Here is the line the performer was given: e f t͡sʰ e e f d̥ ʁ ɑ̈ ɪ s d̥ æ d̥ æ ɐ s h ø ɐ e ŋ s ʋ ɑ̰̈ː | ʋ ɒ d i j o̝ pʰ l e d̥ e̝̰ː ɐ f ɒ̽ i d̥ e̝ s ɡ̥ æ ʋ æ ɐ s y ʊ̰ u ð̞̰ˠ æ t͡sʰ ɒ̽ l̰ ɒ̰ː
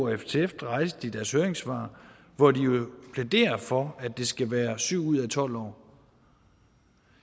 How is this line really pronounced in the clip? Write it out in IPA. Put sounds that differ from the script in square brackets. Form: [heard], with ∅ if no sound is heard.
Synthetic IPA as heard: e f t͡sʰ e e f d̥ ʁ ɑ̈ ɪ s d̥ [i] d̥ æ ɐ s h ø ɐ e ŋ s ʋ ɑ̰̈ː | ʋ ɒ d i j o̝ pʰ l e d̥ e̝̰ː ɐ f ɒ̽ [æ] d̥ e̝ s ɡ̥ æ ʋ [æː] ɐ s y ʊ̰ u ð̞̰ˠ æ t͡sʰ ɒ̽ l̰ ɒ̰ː